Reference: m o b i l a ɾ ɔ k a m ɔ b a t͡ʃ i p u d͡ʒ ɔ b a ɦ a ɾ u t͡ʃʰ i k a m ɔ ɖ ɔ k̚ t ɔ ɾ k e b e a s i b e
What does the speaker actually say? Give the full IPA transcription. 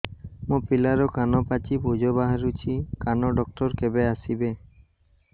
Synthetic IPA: m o p i l a ɾ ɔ k a n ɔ p a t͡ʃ i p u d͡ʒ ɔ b a ɦ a ɾ u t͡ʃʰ i k a n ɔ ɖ ɔ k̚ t ɔ ɾ k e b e a s i b e